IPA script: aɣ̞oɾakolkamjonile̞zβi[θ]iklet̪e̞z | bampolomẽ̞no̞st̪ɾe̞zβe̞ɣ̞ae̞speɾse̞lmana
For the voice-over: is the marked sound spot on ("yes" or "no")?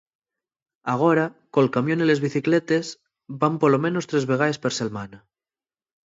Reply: yes